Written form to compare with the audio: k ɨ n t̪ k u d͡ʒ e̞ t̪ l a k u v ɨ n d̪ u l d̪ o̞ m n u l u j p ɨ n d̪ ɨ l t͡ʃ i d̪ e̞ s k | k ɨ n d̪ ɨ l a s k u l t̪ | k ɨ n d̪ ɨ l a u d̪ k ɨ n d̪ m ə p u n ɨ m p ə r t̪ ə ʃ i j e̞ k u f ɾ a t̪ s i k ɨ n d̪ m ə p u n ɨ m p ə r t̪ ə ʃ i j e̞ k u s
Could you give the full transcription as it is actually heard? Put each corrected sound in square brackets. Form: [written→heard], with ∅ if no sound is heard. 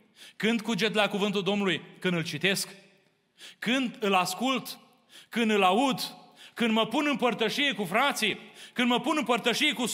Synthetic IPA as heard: k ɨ n [t̪→d̪] k u d͡ʒ e̞ t̪ l a k u v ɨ n [d̪→t̪] u l d̪ o̞ m n u l u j [p→k] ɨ n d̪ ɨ l t͡ʃ i [d̪→t̪] e̞ s k | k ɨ n d̪ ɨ l a s k u l t̪ | k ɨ n d̪ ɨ l a u d̪ k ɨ n d̪ m ə p u n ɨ m p ə r t̪ ə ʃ i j e̞ k u f ɾ a t̪ s i k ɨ n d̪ m ə p u n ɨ m p ə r t̪ ə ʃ i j e̞ k u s